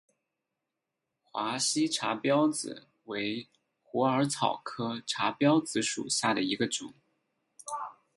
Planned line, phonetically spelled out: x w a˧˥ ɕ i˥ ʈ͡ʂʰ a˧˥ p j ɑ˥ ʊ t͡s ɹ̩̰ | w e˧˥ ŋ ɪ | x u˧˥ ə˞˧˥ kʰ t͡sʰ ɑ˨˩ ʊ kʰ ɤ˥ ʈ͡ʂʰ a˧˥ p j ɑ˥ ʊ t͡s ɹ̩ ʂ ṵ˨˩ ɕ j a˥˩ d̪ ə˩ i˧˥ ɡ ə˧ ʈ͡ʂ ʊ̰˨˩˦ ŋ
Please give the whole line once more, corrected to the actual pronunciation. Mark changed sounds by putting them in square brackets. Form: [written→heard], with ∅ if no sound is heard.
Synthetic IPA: x w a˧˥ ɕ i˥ ʈ͡ʂʰ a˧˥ p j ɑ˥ ʊ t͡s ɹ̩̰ | w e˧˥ [ŋ→∅] ɪ | x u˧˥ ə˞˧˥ [kʰ→∅] t͡sʰ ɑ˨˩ ʊ kʰ ɤ˥ ʈ͡ʂʰ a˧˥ p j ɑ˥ ʊ t͡s ɹ̩ ʂ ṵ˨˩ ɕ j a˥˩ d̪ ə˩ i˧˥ ɡ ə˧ ʈ͡ʂ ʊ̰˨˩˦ ŋ